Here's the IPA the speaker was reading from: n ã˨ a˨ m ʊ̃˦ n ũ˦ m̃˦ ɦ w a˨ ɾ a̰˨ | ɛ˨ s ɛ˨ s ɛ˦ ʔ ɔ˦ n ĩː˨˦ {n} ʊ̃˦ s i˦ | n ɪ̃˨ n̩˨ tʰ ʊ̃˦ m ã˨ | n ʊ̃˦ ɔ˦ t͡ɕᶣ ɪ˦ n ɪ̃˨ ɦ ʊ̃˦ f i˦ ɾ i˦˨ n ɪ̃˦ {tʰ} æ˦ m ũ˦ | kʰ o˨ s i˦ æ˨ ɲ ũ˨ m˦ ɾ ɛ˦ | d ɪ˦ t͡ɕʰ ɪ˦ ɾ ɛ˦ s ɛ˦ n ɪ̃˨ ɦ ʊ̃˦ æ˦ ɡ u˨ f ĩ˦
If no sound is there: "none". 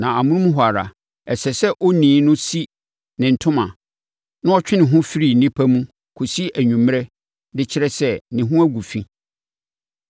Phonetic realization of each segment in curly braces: n, pʰ

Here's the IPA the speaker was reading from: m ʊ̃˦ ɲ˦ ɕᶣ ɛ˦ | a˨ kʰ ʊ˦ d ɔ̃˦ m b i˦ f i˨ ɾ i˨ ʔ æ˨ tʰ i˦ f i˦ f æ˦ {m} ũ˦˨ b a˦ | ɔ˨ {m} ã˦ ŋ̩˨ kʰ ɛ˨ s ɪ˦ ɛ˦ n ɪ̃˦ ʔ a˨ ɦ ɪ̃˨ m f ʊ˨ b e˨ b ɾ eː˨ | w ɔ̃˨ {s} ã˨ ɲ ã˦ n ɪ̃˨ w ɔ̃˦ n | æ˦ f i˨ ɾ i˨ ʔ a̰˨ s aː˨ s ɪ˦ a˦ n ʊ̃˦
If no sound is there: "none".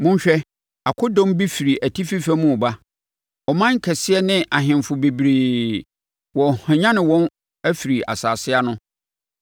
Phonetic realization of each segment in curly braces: m, m, h

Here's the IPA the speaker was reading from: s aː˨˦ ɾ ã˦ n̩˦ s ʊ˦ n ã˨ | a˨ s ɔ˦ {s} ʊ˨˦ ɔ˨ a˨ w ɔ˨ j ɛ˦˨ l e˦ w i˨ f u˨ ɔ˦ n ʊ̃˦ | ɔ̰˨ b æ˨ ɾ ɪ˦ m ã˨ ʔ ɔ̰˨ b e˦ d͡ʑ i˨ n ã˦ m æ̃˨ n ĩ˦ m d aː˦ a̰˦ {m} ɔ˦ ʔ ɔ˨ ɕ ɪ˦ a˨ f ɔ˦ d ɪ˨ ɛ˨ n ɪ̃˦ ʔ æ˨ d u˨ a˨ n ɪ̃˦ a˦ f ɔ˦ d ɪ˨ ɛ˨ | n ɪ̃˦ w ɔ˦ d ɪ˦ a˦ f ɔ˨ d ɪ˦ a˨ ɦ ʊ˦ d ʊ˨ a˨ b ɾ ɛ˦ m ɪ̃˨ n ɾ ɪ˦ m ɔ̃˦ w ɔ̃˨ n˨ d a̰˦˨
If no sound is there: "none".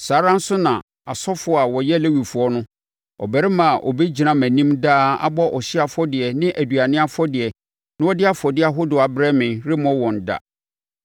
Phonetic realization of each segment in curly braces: f, b

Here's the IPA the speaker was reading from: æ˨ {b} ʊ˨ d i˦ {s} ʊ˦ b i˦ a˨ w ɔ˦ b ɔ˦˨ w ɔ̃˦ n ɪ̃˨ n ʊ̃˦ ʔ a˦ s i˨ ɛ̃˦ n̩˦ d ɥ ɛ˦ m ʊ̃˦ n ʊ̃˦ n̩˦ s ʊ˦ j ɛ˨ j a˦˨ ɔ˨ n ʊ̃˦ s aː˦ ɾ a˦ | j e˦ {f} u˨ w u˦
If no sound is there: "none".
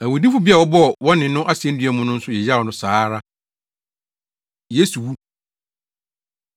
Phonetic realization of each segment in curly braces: w, f, s

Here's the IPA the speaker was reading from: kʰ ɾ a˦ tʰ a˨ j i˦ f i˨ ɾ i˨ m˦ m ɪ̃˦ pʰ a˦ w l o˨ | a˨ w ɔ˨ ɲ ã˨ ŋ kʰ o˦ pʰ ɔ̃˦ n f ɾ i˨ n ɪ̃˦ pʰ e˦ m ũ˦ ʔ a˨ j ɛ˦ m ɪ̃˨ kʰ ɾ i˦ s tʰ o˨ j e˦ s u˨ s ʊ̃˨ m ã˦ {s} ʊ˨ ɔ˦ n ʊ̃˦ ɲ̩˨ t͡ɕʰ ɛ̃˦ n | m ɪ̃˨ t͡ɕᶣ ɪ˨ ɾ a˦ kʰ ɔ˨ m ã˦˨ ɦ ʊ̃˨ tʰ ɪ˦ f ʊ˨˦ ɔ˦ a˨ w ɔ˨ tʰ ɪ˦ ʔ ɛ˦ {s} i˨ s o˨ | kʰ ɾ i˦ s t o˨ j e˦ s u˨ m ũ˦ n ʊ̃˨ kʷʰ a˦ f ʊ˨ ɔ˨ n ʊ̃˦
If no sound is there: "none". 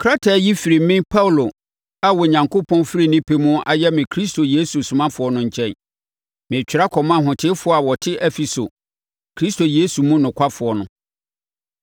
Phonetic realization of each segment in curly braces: f, f

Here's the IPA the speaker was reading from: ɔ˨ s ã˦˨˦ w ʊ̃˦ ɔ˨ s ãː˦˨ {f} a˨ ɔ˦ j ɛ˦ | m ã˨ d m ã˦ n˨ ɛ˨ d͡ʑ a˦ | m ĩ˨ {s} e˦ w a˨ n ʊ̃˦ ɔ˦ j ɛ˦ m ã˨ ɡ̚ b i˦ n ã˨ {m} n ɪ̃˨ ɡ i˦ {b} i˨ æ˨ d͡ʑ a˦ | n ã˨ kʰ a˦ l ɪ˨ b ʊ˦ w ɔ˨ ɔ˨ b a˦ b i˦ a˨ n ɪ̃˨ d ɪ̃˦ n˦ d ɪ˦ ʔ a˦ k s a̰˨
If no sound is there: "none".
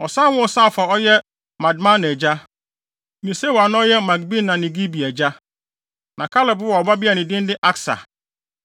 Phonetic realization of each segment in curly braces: f, s, none, b

